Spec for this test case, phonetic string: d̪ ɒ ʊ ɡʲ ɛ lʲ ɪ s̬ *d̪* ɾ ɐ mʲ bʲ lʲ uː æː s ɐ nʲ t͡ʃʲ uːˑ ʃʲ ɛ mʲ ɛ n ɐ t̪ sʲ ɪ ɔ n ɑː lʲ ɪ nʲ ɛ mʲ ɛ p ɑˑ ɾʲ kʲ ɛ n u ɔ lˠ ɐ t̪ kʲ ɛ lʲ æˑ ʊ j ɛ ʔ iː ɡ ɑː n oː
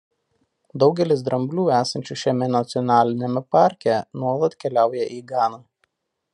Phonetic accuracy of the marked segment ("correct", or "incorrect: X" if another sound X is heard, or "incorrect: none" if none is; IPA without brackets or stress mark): correct